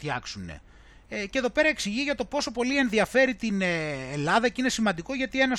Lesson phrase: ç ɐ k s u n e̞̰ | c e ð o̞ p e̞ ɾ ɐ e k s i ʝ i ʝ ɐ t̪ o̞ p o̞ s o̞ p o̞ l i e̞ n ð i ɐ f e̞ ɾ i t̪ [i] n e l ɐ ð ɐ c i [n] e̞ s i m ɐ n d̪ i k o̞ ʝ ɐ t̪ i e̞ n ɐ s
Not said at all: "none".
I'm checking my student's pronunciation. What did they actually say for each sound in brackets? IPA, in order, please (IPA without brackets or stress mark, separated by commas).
i, n